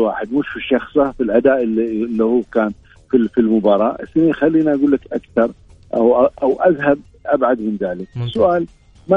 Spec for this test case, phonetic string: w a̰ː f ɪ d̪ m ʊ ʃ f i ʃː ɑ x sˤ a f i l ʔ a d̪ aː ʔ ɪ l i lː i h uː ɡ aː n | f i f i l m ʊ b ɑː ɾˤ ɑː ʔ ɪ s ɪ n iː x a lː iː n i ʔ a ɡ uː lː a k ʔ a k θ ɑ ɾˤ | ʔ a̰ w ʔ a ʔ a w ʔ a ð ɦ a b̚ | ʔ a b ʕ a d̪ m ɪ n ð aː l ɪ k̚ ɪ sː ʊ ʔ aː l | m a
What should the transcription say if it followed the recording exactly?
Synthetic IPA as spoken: w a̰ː ħ ɪ d̪ m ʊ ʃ f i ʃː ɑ x sˤ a f i l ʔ a d̪ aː ʔ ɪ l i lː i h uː k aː n | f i f i l m ʊ b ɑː ɾˤ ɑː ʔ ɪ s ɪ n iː x a lː iː n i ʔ a ɡ uː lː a k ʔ a k θ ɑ ɾˤ | ʔ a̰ w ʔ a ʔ a w ʔ a ð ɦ a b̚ | ʔ a b ʕ a d̪ m ɪ n ð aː l ɪ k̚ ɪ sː ʊ ʔ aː l | m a